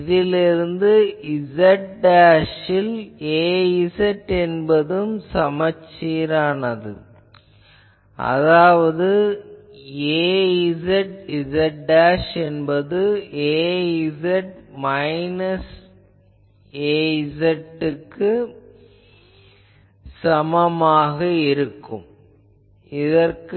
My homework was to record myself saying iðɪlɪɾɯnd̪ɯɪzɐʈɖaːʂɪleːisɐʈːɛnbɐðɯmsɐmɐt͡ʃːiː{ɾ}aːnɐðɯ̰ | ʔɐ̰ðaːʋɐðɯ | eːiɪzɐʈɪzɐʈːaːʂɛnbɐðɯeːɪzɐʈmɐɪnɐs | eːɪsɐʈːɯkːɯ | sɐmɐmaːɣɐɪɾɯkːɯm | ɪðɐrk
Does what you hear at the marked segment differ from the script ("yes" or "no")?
no